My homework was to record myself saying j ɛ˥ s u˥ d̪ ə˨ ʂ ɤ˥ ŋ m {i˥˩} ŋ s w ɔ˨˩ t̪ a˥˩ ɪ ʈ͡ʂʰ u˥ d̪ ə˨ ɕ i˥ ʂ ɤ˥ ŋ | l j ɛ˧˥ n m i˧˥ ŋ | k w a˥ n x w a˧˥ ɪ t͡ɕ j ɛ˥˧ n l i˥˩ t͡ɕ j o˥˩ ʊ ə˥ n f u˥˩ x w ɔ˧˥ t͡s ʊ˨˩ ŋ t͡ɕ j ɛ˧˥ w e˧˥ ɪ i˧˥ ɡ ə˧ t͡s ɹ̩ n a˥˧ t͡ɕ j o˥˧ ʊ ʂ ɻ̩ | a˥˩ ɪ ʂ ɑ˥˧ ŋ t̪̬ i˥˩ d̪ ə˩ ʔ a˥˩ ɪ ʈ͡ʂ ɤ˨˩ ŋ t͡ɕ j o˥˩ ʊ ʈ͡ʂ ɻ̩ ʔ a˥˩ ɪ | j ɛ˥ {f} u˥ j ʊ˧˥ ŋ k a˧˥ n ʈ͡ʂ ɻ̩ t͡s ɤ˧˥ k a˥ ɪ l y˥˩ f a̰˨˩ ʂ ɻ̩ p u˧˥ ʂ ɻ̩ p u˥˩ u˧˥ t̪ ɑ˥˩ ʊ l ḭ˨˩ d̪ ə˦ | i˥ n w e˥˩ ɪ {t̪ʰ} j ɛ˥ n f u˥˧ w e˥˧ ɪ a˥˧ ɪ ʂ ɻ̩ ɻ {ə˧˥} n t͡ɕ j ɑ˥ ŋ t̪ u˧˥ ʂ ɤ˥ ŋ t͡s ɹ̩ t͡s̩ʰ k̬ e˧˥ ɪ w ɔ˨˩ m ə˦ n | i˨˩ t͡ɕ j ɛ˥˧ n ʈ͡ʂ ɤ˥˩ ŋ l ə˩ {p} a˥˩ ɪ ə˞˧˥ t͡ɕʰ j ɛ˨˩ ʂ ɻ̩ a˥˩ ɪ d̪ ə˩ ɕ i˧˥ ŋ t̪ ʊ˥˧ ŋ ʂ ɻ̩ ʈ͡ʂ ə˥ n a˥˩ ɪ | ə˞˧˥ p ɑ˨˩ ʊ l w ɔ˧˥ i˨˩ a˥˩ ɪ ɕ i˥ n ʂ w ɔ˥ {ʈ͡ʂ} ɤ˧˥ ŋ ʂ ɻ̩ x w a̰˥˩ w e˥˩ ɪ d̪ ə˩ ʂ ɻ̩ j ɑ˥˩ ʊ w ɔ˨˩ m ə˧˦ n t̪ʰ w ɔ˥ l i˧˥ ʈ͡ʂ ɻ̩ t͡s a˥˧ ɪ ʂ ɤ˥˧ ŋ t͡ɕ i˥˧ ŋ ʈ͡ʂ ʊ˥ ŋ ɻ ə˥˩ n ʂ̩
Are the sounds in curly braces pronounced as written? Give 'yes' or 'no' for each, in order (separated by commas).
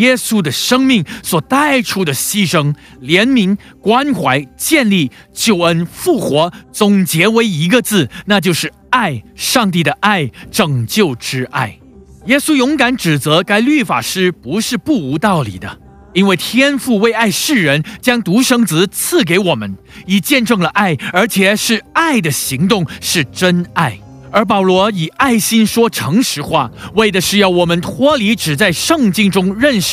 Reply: yes, no, yes, yes, no, no